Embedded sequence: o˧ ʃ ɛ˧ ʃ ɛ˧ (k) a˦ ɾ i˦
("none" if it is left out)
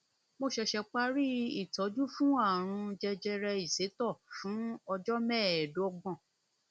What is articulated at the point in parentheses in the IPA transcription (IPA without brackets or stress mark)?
k͡p